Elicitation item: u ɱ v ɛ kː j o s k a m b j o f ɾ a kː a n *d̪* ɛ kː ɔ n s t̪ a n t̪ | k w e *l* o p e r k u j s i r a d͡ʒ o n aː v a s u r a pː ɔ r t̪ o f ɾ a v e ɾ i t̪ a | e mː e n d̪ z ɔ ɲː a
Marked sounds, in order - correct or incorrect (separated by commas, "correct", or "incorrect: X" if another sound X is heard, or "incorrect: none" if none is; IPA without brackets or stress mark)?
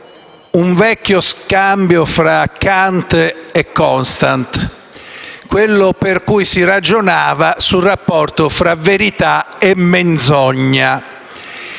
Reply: incorrect: t̪, incorrect: lː